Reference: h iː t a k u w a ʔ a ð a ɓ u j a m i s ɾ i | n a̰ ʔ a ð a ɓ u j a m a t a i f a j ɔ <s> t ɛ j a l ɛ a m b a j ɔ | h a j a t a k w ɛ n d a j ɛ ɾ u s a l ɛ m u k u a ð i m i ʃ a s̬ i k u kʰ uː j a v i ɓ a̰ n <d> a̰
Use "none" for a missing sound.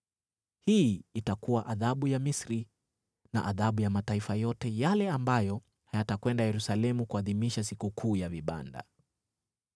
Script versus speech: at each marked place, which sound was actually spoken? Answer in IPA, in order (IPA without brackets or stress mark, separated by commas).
none, d